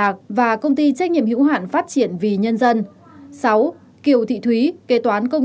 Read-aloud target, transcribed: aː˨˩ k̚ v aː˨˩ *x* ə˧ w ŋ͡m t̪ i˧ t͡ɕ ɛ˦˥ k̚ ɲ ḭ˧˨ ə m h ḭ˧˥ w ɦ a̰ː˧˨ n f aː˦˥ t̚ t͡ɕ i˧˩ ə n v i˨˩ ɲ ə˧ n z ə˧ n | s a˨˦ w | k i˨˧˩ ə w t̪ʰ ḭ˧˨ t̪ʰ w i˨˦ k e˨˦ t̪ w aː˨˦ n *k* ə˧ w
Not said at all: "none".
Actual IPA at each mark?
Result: k, k

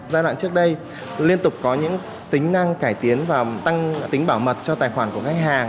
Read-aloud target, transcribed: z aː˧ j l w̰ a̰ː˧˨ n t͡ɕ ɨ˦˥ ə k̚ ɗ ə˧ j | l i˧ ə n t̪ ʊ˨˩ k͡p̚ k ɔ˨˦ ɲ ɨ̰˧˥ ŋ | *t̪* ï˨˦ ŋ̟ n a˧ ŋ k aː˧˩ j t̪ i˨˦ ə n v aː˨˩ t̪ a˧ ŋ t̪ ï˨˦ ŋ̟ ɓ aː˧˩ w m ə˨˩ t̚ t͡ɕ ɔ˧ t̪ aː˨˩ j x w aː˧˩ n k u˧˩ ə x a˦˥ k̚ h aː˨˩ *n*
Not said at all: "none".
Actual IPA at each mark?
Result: t̪, ŋ

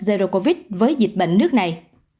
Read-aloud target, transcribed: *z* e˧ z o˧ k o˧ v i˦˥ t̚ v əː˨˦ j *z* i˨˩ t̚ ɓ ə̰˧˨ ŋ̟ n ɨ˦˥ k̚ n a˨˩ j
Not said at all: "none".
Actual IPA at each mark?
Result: z, z

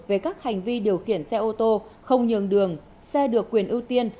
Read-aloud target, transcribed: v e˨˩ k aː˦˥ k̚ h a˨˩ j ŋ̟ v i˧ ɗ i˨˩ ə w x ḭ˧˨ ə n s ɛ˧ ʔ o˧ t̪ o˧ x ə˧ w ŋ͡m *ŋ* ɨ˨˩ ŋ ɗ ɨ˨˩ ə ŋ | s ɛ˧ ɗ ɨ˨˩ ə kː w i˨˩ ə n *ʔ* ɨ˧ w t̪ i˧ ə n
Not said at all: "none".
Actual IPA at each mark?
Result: ɲ, ʔ

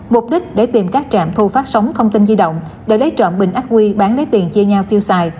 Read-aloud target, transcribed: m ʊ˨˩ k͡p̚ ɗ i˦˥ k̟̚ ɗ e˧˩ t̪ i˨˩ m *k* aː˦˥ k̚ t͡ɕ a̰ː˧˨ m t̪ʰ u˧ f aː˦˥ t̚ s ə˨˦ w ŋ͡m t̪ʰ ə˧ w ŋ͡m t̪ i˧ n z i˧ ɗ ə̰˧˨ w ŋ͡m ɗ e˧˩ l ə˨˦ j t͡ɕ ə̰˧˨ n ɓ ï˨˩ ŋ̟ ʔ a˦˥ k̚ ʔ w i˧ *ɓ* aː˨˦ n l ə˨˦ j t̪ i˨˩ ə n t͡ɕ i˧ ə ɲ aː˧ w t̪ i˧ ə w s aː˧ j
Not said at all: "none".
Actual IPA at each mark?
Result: k, ɓ

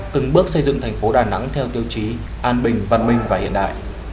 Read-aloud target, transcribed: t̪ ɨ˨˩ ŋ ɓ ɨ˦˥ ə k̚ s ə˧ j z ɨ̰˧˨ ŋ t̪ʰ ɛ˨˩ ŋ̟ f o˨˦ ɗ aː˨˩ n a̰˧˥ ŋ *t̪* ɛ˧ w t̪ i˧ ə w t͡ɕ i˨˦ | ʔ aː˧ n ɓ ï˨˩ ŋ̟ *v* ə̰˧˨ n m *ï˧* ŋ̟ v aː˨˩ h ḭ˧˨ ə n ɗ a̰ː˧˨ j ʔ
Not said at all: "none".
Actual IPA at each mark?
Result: t̪ʰ, v, ï˧

